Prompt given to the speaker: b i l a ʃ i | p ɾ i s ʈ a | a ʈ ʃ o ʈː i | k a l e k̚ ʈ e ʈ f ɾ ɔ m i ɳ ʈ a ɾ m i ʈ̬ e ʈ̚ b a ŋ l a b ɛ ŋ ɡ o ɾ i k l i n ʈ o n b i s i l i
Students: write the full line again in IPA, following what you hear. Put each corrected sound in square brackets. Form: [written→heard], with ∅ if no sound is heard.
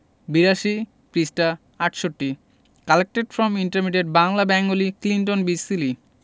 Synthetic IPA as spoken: b i [l→ɾ] a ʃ i | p ɾ i s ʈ a | a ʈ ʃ o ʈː i | k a l e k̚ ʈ e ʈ f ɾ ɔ m i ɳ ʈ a ɾ m i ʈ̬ e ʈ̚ b a ŋ l a b ɛ ŋ ɡ o [ɾ→l] i k l i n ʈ o n b i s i l i